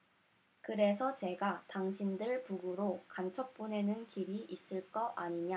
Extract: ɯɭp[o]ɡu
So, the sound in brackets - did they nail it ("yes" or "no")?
no